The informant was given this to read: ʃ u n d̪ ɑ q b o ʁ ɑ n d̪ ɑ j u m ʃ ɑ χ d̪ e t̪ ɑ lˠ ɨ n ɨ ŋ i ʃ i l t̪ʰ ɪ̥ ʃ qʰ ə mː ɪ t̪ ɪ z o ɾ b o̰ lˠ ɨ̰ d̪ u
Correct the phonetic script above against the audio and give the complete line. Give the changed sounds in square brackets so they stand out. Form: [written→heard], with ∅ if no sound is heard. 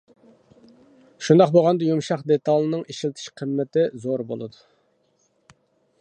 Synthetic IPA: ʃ u n d̪ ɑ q b o ʁ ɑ n d̪ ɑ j u m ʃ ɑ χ d̪ e t̪ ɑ lˠ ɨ n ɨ ŋ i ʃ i l t̪ʰ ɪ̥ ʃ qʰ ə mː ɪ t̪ ɪ z o ɾ b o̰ lˠ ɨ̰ d̪ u